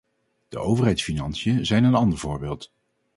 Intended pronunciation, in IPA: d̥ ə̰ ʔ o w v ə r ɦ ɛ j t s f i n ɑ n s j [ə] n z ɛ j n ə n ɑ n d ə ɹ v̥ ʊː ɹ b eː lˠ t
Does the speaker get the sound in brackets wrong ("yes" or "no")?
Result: no